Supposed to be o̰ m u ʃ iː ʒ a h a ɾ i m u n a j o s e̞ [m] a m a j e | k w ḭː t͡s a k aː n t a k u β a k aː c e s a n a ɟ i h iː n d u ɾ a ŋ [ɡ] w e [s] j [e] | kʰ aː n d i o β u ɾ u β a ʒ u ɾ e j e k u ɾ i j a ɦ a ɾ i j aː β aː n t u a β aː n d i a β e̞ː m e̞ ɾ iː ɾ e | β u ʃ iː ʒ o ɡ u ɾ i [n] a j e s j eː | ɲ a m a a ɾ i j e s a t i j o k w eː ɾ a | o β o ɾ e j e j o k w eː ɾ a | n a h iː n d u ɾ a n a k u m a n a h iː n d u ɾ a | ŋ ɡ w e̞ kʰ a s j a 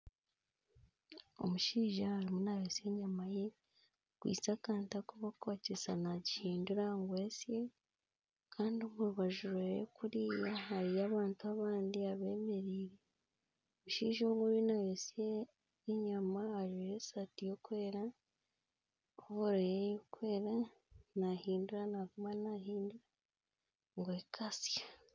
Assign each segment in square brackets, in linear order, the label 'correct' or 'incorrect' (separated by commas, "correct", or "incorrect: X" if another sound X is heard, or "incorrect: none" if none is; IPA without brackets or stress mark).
incorrect: ɲ, correct, correct, correct, correct